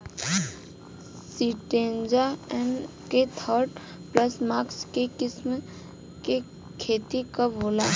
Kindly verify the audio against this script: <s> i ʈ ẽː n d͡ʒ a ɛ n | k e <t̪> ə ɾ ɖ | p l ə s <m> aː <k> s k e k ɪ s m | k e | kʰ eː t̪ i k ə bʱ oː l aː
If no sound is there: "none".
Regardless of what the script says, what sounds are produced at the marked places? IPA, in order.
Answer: s, t̪ʰ, m, k

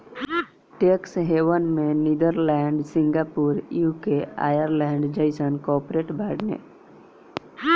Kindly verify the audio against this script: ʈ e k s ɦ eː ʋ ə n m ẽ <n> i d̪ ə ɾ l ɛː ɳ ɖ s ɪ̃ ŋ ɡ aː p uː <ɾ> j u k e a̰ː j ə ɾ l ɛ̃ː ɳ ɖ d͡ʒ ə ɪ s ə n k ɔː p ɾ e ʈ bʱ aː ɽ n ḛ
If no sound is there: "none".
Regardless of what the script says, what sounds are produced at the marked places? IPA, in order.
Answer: n, ɾ

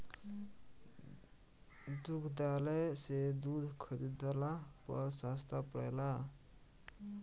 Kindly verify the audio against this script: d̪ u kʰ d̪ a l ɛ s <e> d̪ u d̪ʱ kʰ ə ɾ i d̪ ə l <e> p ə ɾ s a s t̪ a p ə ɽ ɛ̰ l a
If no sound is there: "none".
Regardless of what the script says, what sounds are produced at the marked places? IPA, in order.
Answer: e, a

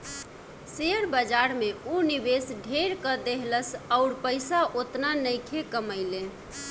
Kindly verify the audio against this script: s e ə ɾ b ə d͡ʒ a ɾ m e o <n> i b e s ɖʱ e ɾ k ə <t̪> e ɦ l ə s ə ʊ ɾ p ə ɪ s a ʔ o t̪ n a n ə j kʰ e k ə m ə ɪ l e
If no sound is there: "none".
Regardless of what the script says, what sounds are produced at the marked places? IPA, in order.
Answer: n, d̪

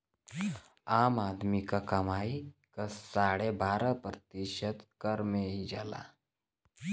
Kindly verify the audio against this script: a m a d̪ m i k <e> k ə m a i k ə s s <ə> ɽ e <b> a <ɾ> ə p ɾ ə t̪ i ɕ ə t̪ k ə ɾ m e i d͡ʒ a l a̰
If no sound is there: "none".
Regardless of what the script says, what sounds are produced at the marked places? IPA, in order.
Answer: a, a, b, ɾ

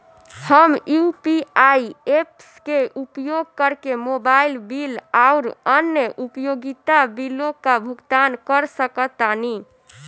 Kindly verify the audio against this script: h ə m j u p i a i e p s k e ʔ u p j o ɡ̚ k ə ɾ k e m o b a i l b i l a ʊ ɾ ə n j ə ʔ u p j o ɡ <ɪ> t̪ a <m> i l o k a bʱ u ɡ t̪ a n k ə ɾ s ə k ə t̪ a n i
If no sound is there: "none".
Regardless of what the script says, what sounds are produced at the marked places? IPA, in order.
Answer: i, b

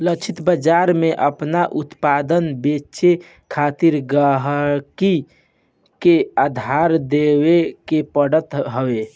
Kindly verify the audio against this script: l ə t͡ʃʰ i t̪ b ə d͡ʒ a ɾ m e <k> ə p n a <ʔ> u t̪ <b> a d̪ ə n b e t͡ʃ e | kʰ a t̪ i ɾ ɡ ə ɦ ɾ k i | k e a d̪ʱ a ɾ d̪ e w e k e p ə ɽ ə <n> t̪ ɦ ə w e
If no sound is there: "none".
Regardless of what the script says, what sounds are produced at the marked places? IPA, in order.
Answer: ʔ, ʔ, p, none

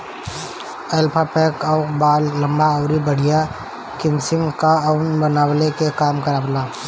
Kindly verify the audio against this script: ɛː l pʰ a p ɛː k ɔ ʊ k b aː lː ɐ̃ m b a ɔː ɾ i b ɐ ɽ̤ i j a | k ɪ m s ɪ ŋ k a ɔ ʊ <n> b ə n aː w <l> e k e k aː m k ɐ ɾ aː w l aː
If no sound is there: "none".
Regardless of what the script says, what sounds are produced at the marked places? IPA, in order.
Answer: n, l

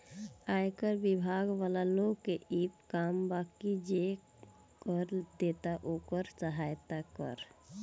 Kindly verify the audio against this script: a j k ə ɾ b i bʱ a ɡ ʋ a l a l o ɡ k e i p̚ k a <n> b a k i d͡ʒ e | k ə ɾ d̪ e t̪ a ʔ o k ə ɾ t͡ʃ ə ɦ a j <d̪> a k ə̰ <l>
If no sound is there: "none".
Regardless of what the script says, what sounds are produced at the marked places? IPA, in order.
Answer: m, t̪, ɾ

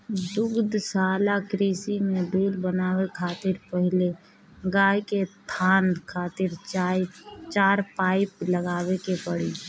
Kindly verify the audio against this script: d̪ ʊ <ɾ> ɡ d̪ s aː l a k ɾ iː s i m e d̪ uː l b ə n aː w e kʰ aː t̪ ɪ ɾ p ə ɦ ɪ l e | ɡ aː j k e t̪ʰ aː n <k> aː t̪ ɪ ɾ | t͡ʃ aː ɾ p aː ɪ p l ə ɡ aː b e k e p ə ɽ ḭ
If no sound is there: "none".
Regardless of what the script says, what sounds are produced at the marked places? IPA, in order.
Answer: none, kʰ

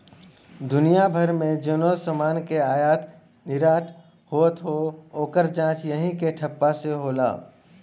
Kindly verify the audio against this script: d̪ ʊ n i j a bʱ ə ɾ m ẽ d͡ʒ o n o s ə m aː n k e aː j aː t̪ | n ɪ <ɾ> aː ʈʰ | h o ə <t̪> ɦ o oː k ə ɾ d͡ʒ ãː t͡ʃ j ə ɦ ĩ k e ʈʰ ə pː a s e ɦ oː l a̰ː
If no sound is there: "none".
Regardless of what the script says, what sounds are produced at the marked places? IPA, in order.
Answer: ɾ, t̪

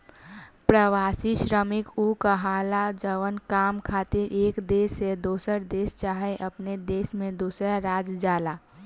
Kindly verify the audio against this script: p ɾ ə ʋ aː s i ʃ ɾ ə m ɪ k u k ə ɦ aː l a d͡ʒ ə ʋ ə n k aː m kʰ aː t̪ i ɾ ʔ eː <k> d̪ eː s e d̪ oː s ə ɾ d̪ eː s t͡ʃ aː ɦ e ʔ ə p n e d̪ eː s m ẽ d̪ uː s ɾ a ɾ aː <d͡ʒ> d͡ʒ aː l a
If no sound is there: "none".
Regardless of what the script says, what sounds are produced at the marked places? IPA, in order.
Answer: k, d͡ʒ

